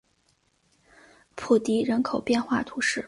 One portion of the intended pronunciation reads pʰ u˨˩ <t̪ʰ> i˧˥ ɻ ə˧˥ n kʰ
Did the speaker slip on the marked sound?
yes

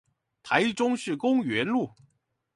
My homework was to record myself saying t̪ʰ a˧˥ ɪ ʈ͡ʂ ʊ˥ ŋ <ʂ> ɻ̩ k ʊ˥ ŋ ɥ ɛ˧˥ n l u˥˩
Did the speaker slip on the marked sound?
no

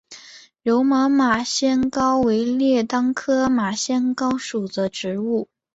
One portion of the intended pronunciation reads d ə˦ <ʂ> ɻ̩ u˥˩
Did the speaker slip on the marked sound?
yes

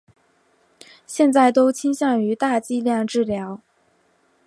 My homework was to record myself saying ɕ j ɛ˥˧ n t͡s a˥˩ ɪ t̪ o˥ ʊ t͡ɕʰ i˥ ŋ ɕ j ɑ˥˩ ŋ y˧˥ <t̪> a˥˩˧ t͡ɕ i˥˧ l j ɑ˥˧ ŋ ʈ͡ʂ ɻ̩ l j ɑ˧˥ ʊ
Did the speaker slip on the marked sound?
no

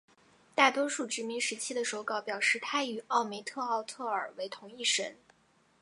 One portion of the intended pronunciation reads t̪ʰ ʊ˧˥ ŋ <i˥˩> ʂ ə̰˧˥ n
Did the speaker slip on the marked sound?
no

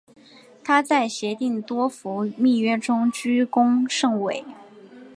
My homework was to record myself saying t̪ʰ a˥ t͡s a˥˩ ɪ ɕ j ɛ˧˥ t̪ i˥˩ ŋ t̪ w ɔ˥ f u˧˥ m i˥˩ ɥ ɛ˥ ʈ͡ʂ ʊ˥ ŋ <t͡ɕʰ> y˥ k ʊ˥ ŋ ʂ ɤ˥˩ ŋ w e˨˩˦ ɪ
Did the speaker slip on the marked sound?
yes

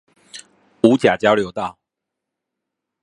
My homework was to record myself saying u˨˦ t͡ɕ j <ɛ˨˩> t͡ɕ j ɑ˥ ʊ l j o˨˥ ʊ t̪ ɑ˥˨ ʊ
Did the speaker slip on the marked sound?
yes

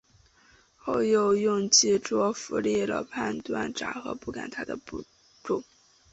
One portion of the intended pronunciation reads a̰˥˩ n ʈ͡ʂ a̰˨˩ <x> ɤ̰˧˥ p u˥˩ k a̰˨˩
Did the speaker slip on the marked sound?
no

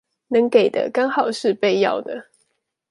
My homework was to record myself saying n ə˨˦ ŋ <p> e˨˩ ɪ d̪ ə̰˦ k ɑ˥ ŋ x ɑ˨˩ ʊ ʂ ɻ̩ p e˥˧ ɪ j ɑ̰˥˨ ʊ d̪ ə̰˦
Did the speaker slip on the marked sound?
yes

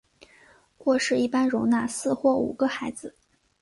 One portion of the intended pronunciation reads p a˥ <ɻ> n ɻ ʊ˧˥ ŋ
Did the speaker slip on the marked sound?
yes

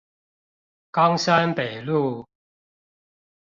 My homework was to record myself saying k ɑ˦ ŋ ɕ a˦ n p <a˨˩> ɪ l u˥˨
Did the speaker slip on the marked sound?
yes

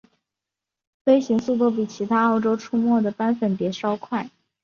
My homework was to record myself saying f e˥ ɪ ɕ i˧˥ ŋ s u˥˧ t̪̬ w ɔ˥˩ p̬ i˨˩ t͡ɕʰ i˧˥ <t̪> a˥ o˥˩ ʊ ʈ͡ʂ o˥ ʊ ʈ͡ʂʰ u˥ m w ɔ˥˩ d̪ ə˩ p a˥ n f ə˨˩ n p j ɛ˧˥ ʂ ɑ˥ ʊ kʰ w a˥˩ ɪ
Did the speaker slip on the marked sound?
yes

